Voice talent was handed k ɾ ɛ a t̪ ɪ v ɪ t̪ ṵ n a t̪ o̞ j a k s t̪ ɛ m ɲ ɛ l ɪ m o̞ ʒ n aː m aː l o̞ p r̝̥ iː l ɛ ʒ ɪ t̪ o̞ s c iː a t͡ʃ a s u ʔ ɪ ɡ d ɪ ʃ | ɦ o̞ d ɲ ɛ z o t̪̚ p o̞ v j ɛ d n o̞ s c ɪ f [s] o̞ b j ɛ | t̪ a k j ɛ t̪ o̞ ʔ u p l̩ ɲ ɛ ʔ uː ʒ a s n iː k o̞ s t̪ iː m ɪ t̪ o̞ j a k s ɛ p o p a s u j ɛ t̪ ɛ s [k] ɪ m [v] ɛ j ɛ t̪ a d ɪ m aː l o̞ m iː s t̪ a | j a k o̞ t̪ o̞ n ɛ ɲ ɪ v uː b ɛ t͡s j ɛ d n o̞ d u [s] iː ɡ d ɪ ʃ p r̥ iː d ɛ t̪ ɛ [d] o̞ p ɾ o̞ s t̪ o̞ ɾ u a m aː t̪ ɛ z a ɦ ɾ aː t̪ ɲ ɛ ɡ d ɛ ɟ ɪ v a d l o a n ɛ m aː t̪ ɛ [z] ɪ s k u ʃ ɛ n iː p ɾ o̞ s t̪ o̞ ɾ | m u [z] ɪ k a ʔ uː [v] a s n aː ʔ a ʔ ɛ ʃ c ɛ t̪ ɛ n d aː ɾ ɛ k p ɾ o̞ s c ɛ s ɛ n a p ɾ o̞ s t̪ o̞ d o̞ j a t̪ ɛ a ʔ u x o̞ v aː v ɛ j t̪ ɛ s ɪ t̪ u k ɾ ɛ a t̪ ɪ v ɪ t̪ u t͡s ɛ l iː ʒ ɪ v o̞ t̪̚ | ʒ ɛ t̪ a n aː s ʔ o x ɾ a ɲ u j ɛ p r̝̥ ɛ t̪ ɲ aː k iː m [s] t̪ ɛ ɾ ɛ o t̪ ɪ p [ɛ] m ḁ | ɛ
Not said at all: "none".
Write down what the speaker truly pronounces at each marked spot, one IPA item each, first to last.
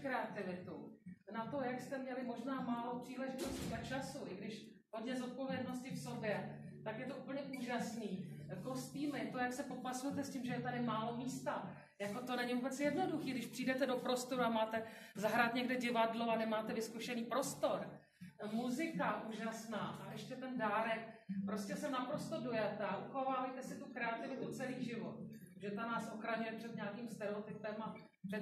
s, c, ʒ, x, d, v, z, ʒ, s, ɛ

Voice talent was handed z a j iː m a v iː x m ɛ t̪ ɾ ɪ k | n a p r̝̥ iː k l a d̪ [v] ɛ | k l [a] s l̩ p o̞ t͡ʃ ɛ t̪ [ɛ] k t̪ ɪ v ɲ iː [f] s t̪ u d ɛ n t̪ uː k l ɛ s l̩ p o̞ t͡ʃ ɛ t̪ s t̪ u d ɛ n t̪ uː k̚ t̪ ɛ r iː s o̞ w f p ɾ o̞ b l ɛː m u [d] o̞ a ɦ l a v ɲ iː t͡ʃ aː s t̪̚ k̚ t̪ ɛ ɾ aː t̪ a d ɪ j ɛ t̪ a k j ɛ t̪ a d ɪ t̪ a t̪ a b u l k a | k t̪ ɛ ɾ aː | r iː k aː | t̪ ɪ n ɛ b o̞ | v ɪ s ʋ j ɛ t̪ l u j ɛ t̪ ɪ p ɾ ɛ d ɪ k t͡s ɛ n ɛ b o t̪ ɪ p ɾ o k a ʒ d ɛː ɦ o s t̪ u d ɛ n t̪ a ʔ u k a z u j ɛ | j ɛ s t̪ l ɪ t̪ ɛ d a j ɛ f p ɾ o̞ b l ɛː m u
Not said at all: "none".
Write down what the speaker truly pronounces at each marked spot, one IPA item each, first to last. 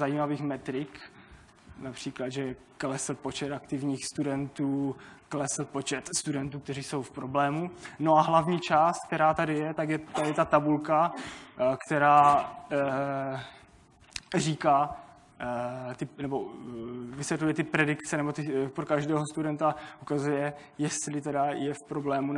ʒ, ɛ, a, x, n

